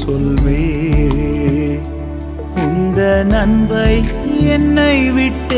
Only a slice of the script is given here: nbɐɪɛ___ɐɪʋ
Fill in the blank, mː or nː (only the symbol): nː